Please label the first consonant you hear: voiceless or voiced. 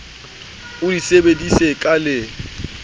voiced